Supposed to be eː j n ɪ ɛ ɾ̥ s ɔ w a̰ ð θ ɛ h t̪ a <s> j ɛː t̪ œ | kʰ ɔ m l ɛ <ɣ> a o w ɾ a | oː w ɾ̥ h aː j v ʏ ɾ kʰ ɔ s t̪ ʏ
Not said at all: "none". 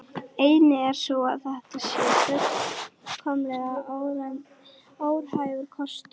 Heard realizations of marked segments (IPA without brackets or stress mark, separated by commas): s, ɣ